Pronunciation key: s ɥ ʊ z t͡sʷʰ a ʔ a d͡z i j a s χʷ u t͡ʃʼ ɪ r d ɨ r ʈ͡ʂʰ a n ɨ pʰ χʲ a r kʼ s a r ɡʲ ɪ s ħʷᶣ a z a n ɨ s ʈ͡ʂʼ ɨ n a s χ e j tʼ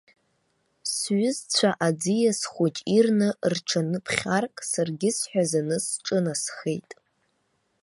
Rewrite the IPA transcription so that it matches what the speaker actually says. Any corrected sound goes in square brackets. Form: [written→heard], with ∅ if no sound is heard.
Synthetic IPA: s ɥ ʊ z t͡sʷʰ a ʔ a d͡z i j a s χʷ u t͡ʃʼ [ɪ→i] r [d→n] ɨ r ʈ͡ʂʰ a n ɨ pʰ χʲ a r kʼ s a r ɡʲ ɪ s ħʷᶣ a z a n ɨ s ʈ͡ʂʼ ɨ n a s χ e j tʼ